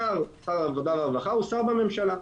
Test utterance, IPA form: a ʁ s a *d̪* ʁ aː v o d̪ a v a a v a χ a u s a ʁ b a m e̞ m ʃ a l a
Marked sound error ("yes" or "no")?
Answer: yes